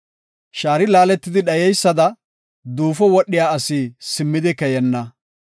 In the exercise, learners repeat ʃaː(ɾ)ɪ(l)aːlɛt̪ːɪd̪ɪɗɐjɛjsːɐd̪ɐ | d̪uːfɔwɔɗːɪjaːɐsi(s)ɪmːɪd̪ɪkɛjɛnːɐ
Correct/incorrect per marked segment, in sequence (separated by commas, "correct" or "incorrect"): correct, correct, correct